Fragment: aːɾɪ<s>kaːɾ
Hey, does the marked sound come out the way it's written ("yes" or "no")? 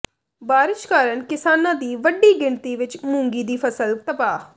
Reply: no